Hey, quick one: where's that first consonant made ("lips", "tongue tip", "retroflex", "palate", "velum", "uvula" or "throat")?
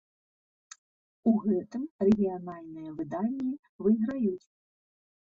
velum